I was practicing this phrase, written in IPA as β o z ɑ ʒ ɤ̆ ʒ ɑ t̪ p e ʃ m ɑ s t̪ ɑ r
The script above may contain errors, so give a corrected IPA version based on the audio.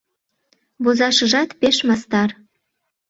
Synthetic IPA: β o z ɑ ʃ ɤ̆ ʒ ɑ t̪ p e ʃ m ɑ s t̪ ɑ r